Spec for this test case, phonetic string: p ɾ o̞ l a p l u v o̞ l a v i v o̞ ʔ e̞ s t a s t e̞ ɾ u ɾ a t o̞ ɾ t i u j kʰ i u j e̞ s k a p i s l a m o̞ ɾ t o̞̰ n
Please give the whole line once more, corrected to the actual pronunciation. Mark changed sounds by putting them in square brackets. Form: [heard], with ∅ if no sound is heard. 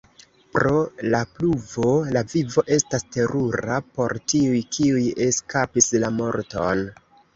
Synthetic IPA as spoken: p ɾ o̞ l a p l u v o̞ l a v i v o̞ ʔ e̞ s t a s t e̞ ɾ u ɾ a [p] o̞ ɾ t i u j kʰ i u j e̞ s k a p i s l a m o̞ ɾ t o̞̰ n